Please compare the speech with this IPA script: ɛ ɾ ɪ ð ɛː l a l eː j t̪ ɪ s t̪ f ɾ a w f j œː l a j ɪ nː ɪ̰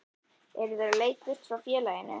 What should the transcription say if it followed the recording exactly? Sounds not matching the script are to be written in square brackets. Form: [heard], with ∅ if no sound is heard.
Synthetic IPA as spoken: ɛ ɾ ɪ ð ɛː [ɾ] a l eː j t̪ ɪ s t̪ f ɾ a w f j [ɛː] l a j ɪ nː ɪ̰